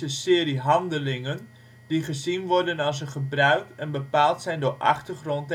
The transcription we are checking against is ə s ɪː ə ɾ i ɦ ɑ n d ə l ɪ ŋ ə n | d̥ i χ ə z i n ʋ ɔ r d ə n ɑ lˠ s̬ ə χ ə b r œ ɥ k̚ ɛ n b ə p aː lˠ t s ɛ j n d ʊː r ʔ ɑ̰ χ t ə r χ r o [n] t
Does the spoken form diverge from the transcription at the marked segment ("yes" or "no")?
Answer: no